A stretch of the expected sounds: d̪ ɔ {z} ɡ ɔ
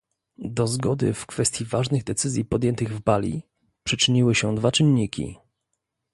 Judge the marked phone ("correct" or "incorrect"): correct